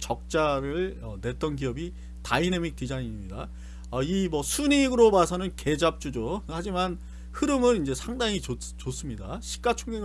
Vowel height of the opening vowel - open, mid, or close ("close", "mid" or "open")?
mid